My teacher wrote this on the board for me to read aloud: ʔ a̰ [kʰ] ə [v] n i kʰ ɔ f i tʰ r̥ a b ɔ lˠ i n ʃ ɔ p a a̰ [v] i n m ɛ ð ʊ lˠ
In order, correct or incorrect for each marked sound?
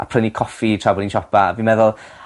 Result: incorrect, incorrect, correct

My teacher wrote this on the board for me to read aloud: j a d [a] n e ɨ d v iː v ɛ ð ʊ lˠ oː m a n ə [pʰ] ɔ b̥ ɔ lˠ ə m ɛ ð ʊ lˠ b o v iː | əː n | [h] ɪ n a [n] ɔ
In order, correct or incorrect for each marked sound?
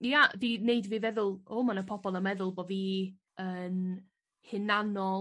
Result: incorrect, correct, correct, correct

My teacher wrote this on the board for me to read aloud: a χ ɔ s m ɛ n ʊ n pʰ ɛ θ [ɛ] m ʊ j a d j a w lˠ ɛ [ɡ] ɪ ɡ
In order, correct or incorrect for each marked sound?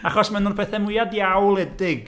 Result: correct, incorrect

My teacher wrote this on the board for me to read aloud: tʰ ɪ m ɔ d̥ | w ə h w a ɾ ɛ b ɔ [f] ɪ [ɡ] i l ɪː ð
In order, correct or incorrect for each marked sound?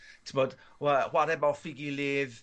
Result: correct, correct

